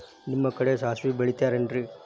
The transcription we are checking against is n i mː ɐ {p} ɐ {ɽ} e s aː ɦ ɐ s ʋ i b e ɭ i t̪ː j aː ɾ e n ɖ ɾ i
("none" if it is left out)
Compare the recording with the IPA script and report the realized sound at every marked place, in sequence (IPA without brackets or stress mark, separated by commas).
k, ɽ